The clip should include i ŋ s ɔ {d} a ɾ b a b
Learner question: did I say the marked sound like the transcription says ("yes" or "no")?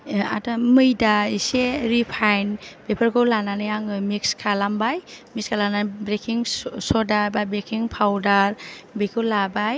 yes